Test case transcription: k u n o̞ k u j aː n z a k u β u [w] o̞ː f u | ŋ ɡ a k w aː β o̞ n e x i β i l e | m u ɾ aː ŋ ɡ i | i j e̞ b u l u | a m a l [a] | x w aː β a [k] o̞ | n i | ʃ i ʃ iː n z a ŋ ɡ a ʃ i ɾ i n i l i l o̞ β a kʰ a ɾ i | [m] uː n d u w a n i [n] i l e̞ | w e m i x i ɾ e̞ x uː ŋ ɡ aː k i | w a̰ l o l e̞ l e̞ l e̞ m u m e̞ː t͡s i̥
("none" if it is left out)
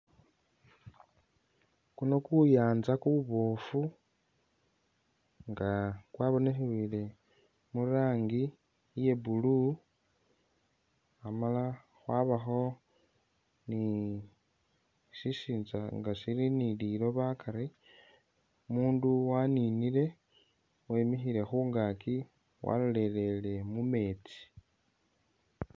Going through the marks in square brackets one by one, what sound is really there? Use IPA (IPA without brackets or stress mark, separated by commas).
β, a, x, m, n